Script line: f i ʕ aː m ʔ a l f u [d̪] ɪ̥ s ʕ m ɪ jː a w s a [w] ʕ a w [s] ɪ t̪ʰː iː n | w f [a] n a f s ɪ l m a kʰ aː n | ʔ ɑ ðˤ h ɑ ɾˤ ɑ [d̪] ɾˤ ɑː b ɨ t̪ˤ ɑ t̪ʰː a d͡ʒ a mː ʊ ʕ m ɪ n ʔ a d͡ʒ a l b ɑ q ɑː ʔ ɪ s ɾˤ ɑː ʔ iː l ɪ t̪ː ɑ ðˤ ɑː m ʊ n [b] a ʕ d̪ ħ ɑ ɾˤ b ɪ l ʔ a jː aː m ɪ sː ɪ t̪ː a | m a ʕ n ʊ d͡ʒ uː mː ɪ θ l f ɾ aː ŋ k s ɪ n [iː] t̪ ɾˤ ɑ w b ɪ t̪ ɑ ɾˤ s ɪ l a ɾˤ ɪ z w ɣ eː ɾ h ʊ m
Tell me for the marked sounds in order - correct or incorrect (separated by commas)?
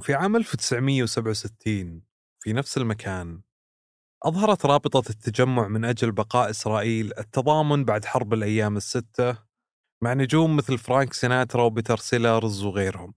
incorrect, incorrect, correct, incorrect, incorrect, correct, incorrect